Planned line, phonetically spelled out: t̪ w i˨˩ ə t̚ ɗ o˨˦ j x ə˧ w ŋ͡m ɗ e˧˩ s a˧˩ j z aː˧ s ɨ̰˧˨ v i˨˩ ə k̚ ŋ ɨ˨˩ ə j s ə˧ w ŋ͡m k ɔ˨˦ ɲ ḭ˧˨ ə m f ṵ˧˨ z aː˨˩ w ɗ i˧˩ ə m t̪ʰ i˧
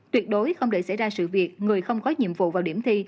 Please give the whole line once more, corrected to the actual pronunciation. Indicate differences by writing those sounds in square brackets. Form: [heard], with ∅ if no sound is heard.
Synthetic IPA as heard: t̪ w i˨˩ ə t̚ ɗ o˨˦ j x ə˧ w ŋ͡m ɗ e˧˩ s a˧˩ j z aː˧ s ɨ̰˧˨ v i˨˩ ə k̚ ŋ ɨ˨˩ ə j [x] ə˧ w ŋ͡m k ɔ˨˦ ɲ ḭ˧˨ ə m [v] ṵ˧˨ [v] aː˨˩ w ɗ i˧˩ ə m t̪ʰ i˧